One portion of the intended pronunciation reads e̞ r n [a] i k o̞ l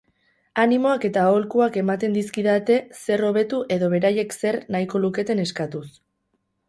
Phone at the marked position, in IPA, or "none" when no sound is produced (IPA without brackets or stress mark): a